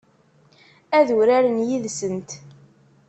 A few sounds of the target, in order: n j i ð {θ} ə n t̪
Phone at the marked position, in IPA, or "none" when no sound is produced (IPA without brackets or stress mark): s